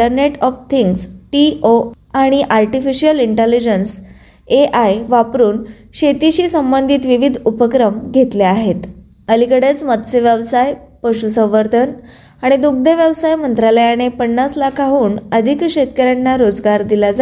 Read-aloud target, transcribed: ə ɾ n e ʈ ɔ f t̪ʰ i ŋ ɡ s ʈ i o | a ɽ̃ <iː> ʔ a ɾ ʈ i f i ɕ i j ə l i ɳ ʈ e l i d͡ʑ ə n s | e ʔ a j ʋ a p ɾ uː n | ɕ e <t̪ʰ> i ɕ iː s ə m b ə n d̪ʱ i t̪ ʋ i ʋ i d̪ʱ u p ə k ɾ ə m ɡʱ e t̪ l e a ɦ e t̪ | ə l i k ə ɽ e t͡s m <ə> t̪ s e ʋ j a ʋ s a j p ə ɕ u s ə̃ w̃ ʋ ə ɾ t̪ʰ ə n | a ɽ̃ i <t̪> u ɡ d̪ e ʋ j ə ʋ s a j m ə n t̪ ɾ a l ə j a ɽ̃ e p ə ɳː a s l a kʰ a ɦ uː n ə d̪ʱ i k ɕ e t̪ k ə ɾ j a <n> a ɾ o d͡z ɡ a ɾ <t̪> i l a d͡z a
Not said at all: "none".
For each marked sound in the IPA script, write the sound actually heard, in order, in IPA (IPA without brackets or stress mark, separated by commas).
i, t̪, ə, d̪, nː, d̪